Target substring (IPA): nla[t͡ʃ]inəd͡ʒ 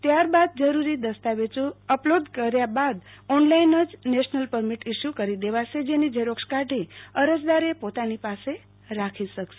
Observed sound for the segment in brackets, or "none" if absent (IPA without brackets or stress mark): none